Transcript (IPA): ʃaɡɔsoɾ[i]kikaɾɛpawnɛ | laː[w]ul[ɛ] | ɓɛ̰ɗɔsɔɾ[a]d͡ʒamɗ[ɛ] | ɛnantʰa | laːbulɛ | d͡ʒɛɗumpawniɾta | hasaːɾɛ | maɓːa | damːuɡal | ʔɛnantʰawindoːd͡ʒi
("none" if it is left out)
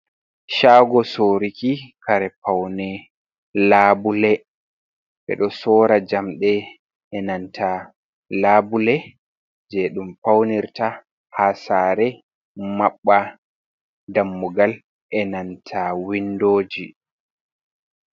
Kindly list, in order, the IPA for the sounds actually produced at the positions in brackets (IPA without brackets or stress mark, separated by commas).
i, b, ɛ, a, ɛ